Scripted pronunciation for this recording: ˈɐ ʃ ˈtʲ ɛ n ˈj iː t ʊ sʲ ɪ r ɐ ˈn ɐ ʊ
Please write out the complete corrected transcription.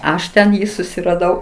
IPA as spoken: ˈɐ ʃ ˈtʲ ɛ n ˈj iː s ʊ sʲ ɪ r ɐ ˈd ɐ ʊ